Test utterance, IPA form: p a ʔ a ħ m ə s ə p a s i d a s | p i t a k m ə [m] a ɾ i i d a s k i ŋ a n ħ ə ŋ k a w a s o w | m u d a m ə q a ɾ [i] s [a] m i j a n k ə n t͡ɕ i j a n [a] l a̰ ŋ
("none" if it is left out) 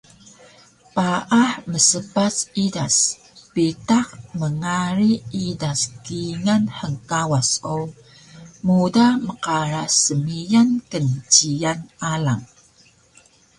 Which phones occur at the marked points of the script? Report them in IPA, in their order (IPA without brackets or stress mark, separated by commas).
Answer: ŋ, a, ə, a